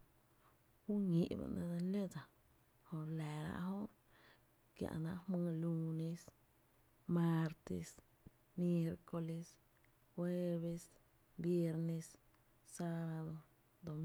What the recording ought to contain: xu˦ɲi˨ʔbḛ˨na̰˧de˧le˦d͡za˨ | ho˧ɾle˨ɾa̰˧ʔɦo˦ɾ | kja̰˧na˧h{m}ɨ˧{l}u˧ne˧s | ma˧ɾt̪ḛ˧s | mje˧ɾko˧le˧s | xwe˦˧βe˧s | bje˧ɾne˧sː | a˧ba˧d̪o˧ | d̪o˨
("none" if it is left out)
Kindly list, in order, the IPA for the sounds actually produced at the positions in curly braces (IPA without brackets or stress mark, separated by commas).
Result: m, l